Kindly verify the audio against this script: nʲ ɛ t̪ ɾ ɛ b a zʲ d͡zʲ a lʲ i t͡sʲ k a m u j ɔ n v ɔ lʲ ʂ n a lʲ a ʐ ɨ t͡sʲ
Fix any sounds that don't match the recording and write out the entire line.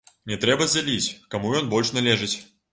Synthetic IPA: nʲ ɛ t̪ ɾ ɛ b ɐ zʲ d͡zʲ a lʲ i t͡sʲ k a m u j ɔ n b ɔ lʲ ʂ n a lʲ ɛ ʐ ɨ t͡sʲ